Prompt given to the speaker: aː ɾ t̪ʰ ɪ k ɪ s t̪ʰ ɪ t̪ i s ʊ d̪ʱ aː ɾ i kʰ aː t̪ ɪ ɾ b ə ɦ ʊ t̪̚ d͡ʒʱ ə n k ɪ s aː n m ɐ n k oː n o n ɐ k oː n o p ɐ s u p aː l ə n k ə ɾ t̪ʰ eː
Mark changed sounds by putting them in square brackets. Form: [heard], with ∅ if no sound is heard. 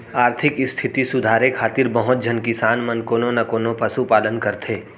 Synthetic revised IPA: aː ɾ t̪ʰ ɪ k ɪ s t̪ʰ ɪ t̪ i s ʊ d̪ʱ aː ɾ [e] kʰ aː t̪ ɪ ɾ b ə ɦ ʊ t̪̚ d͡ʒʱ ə n k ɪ s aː n m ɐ n k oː n o n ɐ k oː n o p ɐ s u p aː l ə n k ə ɾ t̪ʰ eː